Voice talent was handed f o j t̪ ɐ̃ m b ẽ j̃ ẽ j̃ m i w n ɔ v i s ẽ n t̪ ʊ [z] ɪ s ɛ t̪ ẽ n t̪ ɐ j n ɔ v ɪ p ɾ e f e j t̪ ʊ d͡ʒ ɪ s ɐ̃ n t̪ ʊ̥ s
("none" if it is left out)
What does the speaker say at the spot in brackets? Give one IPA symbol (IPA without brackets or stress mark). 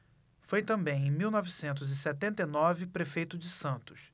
z